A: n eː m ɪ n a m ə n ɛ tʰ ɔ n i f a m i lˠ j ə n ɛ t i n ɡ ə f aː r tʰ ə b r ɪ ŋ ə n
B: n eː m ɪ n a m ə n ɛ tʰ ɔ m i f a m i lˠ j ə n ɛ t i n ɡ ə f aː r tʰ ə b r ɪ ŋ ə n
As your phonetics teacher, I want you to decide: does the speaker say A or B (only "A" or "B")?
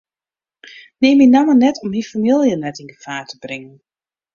B